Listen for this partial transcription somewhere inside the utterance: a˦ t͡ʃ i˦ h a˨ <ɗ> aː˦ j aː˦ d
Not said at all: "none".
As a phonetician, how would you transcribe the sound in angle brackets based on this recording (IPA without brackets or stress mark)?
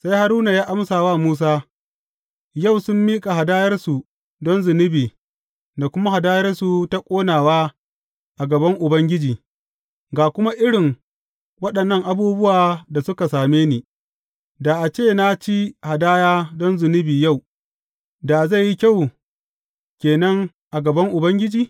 d